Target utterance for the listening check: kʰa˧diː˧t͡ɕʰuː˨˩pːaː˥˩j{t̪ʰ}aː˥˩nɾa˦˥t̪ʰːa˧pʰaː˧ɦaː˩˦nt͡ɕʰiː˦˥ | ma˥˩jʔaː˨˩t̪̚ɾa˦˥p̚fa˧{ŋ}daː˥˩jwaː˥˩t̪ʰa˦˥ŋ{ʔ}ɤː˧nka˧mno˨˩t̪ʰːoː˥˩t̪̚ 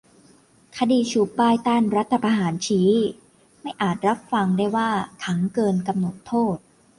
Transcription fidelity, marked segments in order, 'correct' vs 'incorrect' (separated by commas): incorrect, correct, incorrect